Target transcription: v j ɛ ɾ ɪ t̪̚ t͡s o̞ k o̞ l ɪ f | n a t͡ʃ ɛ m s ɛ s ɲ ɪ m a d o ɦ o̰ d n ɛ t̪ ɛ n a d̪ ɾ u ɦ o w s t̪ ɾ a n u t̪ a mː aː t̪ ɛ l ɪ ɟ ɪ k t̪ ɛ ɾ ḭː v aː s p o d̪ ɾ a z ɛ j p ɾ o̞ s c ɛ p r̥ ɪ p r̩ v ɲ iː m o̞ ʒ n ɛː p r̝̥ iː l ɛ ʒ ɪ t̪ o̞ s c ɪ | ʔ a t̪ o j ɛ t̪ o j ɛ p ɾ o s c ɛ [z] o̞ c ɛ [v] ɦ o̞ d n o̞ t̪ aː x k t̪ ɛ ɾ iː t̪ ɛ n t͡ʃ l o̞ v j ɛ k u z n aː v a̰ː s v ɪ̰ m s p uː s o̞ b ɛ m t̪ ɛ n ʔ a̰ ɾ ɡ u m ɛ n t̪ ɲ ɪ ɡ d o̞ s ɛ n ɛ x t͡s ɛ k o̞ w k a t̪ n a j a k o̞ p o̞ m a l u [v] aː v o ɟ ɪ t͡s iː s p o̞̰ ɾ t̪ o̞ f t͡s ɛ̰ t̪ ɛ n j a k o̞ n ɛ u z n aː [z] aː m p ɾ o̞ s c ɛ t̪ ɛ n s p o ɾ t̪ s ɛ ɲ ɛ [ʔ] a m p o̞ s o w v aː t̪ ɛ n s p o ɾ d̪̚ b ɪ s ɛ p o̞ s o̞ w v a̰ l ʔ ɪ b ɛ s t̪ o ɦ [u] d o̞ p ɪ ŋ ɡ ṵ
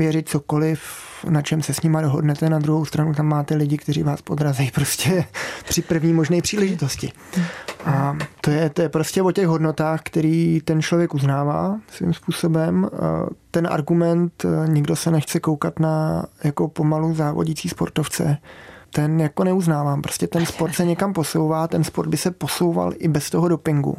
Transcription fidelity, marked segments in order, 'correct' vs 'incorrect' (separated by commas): incorrect, incorrect, incorrect, incorrect, incorrect, incorrect